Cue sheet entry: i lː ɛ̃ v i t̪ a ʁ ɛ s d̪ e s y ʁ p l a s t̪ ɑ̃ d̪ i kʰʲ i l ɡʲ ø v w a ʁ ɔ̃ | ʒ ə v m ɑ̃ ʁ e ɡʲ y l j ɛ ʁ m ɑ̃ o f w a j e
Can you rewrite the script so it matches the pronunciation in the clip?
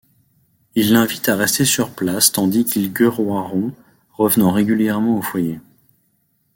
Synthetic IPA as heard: i lː ɛ̃ v i t̪ a ʁ ɛ s t̪ e s y ʁ p l a s t̪ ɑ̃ d̪ i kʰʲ i l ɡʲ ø ʁ w a ʁ ɔ̃ | ʁ ə v n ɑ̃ ʁ e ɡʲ y l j ɛ ʁ m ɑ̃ o f w a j e